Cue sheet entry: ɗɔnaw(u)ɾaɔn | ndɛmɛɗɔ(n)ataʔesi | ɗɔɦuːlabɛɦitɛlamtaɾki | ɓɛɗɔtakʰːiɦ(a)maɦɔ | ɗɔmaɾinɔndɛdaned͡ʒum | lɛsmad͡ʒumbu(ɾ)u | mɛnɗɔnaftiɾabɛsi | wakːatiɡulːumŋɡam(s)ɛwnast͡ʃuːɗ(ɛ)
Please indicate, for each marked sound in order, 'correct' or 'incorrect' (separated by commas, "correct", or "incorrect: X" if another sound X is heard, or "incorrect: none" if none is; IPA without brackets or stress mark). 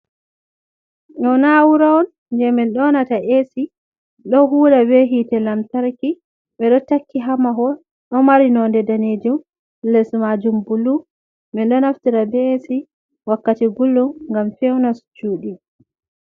correct, correct, correct, incorrect: l, incorrect: f, incorrect: i